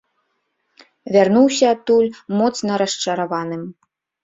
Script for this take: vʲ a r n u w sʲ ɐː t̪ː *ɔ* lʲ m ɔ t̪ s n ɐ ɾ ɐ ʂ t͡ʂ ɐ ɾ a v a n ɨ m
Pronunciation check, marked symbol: incorrect: u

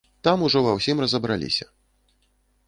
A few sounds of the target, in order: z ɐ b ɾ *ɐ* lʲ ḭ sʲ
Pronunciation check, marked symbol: incorrect: a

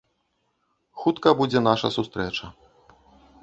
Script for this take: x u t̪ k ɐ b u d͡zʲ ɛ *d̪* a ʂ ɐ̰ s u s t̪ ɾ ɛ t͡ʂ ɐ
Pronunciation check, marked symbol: incorrect: n̪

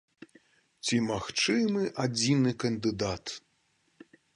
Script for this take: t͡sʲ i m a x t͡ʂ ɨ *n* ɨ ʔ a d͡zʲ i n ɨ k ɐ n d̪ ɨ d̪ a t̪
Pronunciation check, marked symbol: incorrect: m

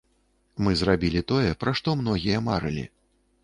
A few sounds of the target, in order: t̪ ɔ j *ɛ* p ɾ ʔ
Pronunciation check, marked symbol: correct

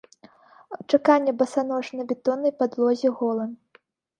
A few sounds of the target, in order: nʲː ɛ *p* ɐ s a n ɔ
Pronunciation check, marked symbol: incorrect: b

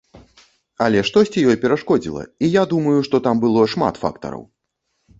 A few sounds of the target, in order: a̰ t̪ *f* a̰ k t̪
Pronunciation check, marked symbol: correct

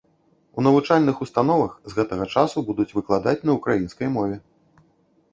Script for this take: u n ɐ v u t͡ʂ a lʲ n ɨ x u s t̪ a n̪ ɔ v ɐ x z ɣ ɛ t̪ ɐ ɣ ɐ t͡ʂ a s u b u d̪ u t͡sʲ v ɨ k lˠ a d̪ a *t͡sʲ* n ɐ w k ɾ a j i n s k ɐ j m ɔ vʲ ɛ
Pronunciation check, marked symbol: correct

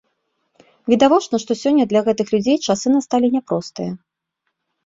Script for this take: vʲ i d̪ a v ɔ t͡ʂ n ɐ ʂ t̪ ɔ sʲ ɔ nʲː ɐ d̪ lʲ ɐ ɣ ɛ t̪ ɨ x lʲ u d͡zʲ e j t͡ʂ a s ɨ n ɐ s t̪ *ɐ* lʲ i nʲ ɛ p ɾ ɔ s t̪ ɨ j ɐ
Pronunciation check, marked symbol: incorrect: a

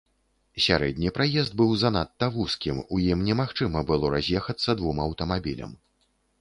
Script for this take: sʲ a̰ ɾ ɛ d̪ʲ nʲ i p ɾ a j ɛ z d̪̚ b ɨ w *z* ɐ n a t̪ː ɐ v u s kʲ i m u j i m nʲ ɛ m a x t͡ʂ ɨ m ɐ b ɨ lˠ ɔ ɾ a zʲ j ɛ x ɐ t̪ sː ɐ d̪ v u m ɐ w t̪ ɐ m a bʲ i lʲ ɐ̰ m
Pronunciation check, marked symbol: correct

